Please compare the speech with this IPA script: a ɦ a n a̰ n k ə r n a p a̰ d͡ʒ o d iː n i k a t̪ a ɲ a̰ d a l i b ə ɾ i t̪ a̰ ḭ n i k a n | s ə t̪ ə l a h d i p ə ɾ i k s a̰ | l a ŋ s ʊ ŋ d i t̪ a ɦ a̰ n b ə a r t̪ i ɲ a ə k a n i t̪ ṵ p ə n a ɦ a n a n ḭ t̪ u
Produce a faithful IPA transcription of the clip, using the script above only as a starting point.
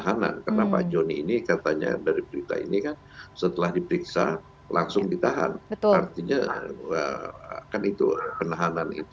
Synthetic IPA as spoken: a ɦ a n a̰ n k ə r n a p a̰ d͡ʒ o n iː n i k a t̪ a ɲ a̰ d a ɾ i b ə ɾ i t̪ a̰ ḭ n i k a n | s ə t̪ ə l a h d i p ə ɾ i k s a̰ | l a ŋ s ʊ ŋ d i t̪ a ɦ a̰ n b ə a r t̪ i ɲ a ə k a n i t̪ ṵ p ə n a ɦ a n a n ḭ t̪ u